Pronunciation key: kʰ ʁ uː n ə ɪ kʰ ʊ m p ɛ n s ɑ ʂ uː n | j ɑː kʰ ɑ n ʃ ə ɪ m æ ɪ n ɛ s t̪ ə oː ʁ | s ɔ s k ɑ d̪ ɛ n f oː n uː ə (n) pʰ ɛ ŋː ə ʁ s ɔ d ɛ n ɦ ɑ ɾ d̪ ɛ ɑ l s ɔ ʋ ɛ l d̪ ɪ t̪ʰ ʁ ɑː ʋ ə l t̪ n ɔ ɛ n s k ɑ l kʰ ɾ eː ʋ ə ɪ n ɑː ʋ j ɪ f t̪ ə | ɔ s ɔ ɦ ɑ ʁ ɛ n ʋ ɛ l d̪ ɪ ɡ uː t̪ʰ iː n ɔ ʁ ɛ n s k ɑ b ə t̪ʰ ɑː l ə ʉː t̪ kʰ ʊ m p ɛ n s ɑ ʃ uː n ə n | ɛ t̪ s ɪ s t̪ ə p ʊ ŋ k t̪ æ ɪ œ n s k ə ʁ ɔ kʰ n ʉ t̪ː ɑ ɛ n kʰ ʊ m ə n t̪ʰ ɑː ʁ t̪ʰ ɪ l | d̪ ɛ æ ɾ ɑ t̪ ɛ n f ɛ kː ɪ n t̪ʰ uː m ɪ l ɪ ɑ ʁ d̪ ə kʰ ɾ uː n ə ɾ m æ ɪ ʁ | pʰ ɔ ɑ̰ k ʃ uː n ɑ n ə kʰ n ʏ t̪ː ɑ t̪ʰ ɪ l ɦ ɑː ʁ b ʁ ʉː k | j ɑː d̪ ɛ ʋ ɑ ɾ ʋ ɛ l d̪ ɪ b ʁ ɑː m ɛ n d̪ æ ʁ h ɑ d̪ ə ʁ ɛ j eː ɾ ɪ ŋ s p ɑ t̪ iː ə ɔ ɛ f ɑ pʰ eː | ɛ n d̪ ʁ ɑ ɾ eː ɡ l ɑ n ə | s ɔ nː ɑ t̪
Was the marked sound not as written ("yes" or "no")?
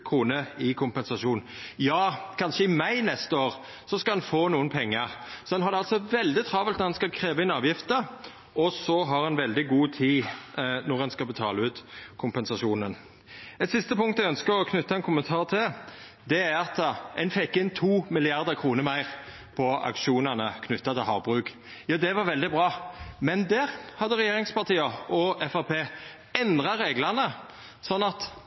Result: no